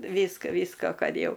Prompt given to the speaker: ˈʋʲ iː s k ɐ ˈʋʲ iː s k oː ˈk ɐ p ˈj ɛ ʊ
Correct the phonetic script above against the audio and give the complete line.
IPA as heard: ˈʋʲ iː s k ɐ ˈʋʲ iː s k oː ˈk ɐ t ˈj ɛ ʊ